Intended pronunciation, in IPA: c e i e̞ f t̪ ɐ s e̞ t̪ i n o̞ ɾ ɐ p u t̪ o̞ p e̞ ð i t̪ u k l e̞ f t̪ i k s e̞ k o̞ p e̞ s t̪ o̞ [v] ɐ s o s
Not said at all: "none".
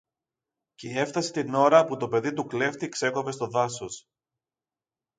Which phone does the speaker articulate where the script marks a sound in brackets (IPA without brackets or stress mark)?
ð